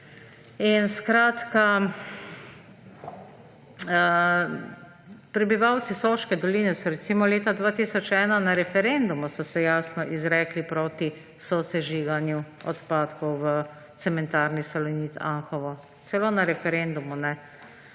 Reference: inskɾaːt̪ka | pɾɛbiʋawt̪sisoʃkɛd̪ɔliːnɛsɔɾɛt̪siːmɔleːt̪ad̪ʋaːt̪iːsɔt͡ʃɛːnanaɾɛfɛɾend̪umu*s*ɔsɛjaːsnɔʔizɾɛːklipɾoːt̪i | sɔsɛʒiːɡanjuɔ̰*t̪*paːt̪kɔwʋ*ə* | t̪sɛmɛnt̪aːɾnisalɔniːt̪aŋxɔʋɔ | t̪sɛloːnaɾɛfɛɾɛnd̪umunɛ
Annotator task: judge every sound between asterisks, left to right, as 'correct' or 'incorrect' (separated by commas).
correct, correct, correct